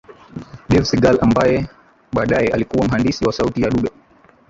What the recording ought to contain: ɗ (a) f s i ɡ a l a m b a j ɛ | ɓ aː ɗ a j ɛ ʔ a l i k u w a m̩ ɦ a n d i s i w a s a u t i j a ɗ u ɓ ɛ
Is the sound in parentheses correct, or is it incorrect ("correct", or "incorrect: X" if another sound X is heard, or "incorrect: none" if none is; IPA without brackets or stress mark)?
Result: incorrect: ɛ